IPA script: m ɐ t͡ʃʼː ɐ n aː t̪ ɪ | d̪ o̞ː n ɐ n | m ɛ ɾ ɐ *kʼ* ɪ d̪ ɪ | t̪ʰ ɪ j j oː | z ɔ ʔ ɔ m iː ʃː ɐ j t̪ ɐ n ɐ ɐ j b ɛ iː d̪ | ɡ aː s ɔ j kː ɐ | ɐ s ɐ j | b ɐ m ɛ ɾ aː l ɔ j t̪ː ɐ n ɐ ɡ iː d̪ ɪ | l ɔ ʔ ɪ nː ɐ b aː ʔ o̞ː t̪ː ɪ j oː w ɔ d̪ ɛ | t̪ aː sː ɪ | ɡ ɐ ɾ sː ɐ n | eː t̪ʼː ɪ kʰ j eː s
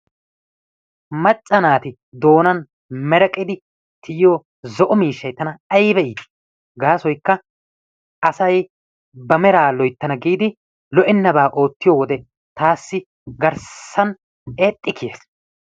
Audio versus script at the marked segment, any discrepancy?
no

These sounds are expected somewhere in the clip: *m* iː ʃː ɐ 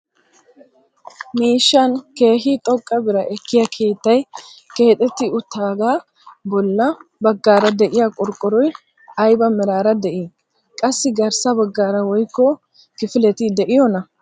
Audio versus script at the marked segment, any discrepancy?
no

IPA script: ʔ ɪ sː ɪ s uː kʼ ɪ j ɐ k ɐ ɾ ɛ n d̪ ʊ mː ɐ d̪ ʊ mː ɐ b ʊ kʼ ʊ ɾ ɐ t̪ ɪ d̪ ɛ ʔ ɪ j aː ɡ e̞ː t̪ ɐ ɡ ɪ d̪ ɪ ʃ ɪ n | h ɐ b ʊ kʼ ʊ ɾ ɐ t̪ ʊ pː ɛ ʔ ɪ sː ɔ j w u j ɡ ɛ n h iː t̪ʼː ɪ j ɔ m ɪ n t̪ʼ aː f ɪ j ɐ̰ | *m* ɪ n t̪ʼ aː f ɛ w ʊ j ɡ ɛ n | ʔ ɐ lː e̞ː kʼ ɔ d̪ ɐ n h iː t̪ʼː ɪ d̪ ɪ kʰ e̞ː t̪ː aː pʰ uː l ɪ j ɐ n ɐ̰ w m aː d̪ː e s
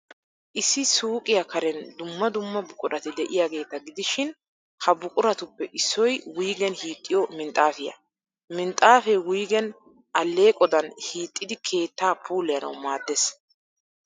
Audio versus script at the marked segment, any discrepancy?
no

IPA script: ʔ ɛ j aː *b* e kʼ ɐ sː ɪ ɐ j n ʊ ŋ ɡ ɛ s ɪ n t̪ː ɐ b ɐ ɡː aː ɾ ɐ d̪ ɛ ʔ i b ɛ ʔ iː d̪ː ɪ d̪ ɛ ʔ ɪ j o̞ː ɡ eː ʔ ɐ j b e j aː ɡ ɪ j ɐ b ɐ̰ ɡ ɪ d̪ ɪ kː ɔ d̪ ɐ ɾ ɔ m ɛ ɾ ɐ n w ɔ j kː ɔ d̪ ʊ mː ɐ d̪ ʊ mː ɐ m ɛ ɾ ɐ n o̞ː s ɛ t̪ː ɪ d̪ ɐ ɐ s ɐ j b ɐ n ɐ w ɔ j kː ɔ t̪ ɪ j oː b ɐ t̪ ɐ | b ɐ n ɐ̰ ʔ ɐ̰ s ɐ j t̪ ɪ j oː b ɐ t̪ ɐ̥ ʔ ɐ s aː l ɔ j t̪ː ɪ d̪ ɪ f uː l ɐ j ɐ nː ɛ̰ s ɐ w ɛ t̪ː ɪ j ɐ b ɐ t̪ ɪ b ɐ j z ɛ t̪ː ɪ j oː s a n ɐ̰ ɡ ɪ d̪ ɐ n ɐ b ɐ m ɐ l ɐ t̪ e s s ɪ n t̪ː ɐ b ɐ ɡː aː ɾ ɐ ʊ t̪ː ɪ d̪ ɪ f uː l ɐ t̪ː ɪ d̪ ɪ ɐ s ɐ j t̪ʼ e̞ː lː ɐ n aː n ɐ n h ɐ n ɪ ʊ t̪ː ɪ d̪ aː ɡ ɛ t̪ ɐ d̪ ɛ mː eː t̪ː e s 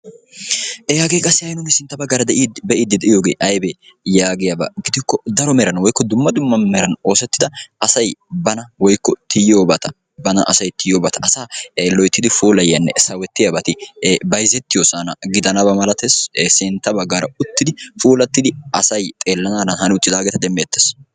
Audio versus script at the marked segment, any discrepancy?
yes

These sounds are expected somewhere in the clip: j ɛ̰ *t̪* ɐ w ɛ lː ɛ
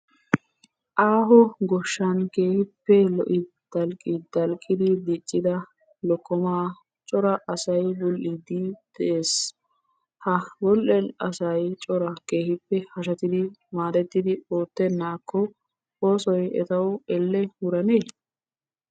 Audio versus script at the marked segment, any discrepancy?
no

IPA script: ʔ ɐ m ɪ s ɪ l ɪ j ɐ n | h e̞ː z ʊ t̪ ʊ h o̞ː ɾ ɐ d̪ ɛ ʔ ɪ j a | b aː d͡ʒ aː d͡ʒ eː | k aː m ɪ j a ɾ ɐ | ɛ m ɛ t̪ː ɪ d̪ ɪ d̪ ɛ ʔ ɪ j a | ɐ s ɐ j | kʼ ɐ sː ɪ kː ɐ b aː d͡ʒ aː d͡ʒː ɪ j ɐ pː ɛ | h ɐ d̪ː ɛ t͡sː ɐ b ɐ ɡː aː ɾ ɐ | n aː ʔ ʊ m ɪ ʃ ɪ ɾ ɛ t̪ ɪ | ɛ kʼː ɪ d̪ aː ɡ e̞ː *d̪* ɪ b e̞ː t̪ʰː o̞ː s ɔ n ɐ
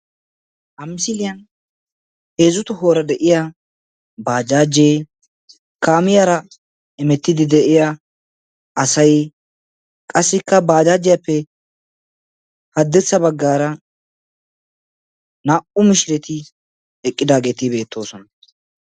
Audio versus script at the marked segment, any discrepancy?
yes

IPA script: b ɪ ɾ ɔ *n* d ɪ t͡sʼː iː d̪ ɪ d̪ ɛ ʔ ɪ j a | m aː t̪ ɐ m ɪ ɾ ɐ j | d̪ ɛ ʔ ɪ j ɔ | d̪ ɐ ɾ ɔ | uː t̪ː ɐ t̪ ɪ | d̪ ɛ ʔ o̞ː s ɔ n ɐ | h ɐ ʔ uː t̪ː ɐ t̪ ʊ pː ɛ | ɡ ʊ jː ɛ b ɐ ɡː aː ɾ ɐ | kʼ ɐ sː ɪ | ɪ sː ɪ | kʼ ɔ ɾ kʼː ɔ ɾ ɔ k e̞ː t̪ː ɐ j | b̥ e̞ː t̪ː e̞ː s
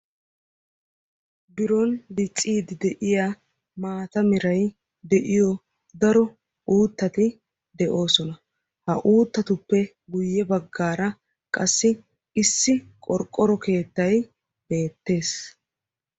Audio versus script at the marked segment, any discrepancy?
no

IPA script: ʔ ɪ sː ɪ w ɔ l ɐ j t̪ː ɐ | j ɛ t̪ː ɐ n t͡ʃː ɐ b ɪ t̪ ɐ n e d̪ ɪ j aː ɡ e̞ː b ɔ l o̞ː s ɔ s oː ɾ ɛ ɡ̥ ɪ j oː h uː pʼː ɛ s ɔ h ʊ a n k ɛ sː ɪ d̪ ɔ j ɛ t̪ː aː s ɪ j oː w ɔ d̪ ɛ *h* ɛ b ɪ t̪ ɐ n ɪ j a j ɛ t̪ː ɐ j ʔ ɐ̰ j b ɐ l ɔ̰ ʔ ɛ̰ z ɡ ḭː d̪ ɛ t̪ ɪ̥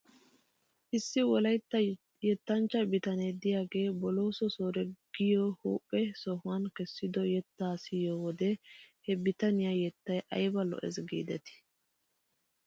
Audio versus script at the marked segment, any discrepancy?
no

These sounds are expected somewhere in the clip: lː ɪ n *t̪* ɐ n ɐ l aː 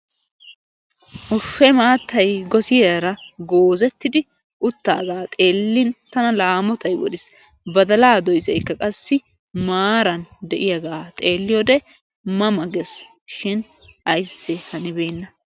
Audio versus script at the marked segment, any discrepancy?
no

